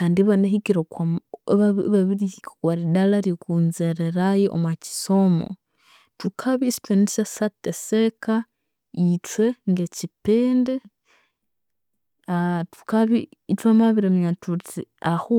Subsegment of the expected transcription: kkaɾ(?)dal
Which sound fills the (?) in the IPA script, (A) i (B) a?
A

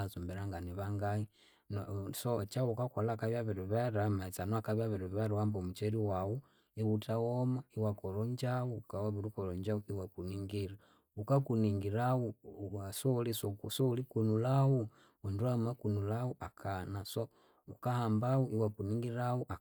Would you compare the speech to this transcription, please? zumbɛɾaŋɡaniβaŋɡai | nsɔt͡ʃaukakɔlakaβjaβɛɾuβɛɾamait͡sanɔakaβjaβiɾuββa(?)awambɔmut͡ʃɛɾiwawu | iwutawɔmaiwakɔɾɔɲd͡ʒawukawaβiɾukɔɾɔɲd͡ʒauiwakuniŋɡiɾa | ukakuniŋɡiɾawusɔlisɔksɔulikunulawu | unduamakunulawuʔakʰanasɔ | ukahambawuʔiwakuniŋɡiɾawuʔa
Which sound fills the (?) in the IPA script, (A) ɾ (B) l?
A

